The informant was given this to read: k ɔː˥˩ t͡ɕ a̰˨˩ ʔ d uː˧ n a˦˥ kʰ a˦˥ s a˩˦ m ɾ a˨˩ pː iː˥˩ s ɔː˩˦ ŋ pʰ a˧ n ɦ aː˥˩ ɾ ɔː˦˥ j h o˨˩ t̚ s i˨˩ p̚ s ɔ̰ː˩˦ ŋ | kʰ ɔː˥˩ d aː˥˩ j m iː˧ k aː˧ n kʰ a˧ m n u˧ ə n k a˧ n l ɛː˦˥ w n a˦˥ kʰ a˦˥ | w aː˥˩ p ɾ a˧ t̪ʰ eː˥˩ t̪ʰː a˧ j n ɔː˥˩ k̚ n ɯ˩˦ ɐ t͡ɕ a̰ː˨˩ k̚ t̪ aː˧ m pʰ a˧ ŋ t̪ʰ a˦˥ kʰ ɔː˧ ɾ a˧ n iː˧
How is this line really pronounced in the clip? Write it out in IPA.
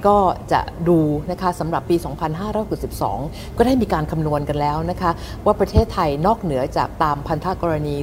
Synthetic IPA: k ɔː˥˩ t͡ɕ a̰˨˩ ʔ d uː˧ n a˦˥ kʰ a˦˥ s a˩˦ m ɾ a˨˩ pː iː˧ s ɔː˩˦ ŋ pʰ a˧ n ɦ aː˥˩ ɾ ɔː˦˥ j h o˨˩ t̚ s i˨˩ p̚ s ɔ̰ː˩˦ ŋ | k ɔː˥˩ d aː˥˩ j m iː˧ k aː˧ n kʰ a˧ m n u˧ ə n k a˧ n l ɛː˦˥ w n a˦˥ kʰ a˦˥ | w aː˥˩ p ɾ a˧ t̪ʰ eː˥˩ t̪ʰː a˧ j n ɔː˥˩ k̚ n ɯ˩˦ ɐ t͡ɕ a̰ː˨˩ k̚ t̪ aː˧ m pʰ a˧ n t̪ʰ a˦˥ k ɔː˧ ɾ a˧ n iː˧